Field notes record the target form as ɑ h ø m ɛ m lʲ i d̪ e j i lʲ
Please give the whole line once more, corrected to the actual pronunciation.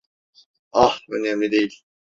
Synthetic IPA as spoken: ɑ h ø n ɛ m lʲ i d̪ e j i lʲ